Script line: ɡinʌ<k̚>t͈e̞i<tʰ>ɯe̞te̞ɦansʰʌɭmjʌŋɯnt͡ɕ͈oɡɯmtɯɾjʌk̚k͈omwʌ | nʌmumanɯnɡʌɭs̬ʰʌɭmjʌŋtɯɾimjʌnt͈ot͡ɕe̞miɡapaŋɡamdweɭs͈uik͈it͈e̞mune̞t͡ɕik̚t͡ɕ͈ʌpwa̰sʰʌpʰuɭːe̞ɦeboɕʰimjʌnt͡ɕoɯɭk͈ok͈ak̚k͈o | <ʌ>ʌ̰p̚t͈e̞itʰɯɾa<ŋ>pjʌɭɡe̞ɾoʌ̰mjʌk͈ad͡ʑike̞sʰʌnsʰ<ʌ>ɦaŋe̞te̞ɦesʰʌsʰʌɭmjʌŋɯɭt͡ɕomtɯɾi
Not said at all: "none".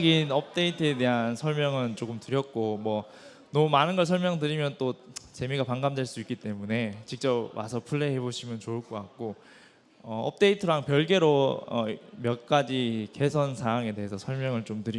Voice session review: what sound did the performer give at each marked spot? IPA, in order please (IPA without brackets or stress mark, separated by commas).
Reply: p̚, tʰ, ʌ, ŋ, a